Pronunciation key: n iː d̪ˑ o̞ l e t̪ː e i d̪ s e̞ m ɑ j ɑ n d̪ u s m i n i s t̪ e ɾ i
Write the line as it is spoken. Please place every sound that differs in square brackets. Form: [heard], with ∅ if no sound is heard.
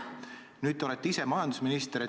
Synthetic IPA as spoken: n [yː] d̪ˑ o̞ l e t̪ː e i [∅] s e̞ m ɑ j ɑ n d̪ u s m i n i s t̪ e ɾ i